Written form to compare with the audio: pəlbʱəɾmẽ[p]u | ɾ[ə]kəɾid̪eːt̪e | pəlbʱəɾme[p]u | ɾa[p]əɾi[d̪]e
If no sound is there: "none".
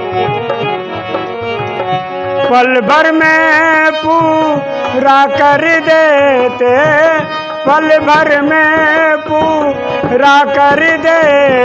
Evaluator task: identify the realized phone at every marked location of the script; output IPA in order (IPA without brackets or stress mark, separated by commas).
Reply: p, a, p, k, d̪